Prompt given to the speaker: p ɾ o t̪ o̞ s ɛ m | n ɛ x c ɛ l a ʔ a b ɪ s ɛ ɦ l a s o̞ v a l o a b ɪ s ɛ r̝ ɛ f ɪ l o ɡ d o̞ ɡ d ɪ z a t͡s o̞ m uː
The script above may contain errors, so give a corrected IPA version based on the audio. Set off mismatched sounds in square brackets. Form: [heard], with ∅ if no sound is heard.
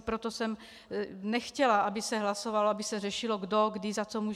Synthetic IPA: p ɾ o t̪ o̞ s ɛ m | n ɛ x c ɛ l a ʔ a b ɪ s ɛ ɦ l a s o̞ v a l o a b ɪ s ɛ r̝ ɛ [ʃ] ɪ l o ɡ d o̞ ɡ d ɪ z a t͡s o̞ m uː